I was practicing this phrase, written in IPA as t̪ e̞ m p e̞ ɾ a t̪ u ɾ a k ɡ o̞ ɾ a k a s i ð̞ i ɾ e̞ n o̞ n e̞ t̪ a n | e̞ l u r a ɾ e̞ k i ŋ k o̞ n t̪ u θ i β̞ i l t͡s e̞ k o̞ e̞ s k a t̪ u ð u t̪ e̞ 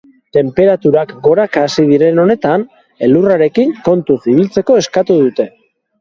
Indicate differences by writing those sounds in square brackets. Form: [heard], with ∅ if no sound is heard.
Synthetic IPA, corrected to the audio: t̪ e̞ m p e̞ ɾ a t̪ u ɾ a k ɡ o̞ ɾ a k a s i ð̞ i ɾ e̞ n o̞ n e̞ t̪ a n | e̞ l u r a ɾ e̞ k i ŋ k o̞ n t̪ u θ i β̞ i l t͡s e̞ k o̞ e̞ s k a t̪ u ð u t̪ e̞